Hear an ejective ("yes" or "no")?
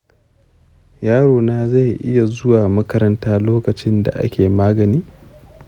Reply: no